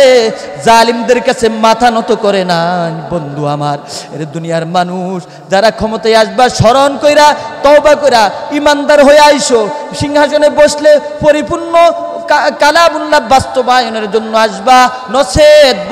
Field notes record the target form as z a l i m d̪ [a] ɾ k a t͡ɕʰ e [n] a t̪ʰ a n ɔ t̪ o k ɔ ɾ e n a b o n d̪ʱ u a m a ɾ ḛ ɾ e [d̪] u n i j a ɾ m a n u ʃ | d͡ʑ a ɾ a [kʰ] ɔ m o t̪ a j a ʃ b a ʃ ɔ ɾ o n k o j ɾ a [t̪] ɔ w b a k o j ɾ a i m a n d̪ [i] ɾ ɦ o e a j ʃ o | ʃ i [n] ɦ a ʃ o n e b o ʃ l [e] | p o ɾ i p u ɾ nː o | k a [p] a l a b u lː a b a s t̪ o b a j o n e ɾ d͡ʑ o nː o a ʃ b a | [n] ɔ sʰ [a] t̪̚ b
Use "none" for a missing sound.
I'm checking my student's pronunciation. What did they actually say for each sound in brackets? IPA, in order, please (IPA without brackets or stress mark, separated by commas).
e, m, d̪, kʰ, t̪, a, ŋ, e, k, n, e